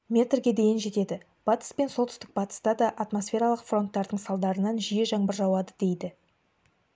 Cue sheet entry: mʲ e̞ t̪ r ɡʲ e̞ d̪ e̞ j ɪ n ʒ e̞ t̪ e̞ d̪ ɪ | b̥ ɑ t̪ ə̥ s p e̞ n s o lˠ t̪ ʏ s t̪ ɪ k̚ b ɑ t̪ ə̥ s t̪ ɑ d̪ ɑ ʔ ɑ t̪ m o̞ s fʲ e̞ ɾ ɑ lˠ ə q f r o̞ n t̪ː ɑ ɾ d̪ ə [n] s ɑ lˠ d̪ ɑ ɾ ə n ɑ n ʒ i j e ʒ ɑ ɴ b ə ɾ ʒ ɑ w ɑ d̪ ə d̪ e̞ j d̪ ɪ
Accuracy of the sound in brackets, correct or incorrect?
incorrect: ɴ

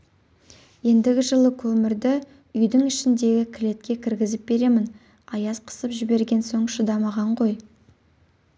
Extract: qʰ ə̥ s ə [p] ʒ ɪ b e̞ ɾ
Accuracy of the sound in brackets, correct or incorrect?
correct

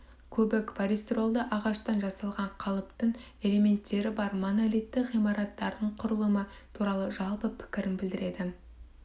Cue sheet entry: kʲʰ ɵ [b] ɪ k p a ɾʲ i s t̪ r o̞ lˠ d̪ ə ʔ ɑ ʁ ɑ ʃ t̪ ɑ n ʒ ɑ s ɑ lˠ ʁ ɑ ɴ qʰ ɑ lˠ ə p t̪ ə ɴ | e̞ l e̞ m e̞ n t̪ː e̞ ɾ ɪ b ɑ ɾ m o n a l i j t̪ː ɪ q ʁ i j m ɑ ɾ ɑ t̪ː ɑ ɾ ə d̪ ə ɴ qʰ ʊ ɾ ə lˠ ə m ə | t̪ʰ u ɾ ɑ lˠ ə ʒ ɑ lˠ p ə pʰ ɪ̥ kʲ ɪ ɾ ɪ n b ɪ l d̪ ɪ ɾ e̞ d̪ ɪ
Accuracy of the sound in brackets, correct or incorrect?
correct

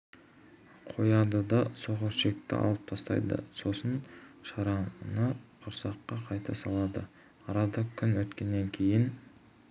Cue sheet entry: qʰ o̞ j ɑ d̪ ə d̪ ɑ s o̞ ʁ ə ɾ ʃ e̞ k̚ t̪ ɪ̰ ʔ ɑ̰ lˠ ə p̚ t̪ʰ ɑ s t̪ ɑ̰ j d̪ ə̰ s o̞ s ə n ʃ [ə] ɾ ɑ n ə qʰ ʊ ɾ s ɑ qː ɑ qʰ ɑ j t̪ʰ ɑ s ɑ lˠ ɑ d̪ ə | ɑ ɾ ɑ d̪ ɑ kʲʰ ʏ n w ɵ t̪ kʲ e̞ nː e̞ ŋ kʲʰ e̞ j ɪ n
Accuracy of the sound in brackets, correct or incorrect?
incorrect: ɑ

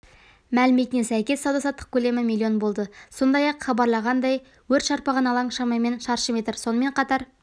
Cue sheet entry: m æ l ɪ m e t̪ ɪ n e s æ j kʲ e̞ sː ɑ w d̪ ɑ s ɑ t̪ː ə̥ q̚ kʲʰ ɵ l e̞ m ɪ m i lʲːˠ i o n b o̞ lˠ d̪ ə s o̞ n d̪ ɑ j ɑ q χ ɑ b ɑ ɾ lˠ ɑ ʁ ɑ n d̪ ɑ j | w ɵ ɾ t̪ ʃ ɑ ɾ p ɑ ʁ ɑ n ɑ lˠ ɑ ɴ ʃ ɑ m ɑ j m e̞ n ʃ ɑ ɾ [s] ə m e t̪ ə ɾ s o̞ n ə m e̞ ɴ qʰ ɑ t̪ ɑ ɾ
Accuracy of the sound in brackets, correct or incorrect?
incorrect: ʃ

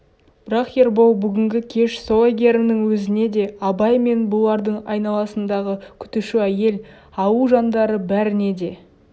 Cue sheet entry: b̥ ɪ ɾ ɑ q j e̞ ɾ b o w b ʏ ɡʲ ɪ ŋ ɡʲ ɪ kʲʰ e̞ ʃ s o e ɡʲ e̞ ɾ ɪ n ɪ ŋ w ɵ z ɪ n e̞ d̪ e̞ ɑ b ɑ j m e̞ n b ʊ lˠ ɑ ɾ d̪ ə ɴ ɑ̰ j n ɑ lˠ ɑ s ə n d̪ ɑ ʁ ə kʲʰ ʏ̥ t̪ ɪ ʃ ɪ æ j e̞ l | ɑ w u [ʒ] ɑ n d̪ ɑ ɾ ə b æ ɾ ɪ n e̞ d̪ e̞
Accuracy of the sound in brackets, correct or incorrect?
correct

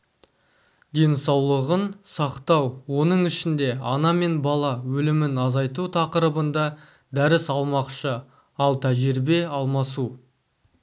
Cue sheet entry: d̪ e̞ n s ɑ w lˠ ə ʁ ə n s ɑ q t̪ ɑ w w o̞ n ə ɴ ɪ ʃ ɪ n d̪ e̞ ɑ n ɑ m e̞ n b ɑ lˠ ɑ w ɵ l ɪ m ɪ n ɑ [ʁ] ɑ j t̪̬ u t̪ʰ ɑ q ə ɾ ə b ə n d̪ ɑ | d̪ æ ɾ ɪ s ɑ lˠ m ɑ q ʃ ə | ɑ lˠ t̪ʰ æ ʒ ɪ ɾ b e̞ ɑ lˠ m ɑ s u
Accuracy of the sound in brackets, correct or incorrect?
incorrect: z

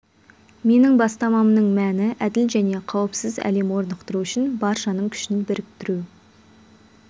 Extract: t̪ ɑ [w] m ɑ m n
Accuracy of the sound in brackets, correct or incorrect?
incorrect: none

